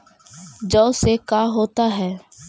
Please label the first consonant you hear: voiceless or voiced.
voiced